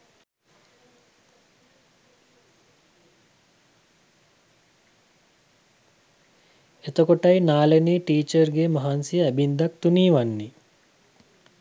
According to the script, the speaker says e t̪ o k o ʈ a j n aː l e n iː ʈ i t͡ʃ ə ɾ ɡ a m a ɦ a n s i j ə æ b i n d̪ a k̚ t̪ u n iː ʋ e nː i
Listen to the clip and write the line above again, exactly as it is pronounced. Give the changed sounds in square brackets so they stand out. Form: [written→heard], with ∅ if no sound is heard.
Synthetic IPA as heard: e t̪ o k o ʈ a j n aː l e n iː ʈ [i→iː] t͡ʃ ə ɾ ɡ [a→e] m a ɦ a n s i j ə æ b i n d̪ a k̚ t̪ u n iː ʋ [e→a] nː i